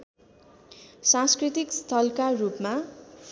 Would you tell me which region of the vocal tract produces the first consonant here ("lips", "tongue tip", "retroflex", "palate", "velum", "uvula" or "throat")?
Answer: tongue tip